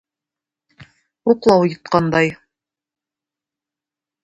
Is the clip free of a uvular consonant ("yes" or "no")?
no